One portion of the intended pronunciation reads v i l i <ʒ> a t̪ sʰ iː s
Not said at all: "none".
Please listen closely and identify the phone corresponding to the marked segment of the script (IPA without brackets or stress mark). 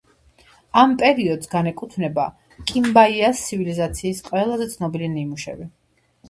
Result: z